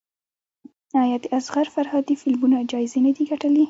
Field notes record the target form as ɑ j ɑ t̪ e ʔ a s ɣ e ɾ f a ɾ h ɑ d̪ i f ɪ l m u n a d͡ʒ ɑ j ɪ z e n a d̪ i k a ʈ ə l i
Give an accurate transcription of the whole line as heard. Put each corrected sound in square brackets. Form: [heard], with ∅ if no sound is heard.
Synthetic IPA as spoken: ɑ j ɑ [d̪] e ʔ a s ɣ [a] ɾ f a ɾ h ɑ d̪ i f ɪ l m u n a d͡ʒ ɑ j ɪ z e n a d̪ i [ɡ] a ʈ ə l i